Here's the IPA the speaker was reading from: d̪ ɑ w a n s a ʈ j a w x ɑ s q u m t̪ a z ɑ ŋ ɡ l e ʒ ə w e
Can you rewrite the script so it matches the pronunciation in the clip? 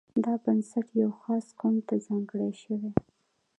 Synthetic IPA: d̪ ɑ b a n s a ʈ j a w x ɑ s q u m t̪ a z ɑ ŋ ɡ ɽ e ʃ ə w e